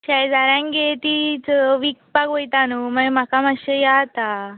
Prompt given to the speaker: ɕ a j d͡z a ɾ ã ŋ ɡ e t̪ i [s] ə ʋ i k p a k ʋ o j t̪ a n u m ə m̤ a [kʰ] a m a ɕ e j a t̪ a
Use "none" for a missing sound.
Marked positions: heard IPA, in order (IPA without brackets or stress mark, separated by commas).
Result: t͡s, k